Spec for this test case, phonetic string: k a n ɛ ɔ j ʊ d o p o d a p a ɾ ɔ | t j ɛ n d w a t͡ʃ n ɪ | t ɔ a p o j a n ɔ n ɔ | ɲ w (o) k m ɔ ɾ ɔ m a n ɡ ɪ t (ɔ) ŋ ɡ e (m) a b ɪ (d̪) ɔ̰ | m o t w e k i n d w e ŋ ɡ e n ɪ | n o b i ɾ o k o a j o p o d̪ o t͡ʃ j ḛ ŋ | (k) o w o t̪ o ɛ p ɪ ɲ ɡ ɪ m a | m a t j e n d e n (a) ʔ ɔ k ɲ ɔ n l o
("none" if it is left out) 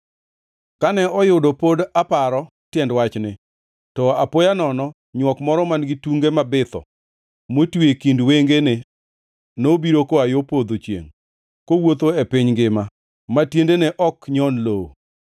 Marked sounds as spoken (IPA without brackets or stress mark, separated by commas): ɔ, u, m, t̪, k, ɛ